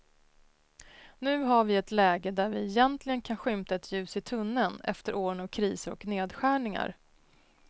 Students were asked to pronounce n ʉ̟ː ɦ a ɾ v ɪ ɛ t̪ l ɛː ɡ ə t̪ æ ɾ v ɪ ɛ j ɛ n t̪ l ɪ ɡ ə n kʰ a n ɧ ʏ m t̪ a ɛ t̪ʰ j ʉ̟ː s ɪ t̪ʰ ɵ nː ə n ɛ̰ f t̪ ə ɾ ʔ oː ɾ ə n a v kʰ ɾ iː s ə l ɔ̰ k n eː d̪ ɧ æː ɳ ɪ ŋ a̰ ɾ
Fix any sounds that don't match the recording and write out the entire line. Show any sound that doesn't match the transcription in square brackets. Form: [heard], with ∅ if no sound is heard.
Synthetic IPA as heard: n ʉ̟ː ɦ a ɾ v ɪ ɛ t̪ l ɛː ɡ ə [d̪] æ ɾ v ɪ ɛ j ɛ n t̪ l ɪ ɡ ə n kʰ a n ɧ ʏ m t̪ a ɛ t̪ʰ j ʉ̟ː s ɪ t̪ʰ ɵ nː ə n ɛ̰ f t̪ ə ɾ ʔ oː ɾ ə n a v kʰ ɾ iː s ə [ɾ] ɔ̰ k n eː d̪ ɧ æː ɳ ɪ ŋ a̰ ɾ